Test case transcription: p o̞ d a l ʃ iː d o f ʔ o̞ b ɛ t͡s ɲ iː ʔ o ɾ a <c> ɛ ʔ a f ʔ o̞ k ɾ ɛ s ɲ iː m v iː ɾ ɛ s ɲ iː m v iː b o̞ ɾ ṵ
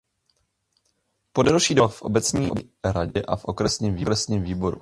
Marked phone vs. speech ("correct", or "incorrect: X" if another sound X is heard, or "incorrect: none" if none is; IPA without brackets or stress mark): incorrect: ɟ